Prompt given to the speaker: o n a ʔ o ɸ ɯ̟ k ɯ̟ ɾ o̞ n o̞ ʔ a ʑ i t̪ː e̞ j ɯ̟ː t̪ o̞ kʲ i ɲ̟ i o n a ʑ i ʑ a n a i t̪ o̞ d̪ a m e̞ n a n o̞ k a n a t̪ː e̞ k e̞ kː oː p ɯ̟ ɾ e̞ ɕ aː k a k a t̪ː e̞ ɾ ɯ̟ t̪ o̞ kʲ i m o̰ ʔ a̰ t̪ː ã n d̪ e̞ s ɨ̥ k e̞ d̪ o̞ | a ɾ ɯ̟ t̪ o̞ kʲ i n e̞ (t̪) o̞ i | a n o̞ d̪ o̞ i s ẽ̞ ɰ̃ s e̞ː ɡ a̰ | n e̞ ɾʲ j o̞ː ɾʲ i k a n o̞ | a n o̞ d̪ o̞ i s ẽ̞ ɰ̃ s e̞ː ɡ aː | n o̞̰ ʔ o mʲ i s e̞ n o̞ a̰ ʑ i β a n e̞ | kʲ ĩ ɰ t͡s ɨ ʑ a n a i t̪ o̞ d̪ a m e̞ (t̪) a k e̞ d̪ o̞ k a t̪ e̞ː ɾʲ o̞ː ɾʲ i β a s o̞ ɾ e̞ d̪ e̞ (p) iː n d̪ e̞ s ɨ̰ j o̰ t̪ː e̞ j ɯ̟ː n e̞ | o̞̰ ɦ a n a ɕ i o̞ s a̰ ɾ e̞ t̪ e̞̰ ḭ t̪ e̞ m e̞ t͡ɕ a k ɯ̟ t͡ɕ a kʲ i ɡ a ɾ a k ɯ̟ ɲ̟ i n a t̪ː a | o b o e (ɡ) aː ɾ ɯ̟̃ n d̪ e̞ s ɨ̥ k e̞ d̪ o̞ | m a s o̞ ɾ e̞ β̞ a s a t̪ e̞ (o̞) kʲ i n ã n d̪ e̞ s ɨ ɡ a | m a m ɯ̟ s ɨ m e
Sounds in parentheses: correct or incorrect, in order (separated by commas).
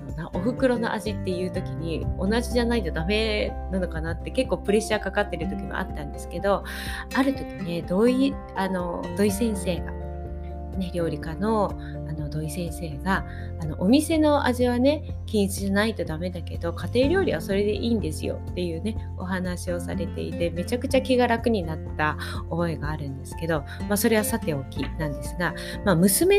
incorrect, incorrect, incorrect, correct, correct